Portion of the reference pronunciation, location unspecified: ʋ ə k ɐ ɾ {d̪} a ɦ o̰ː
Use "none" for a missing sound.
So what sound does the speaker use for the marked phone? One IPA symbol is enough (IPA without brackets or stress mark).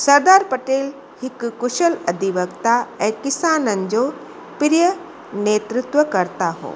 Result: t̪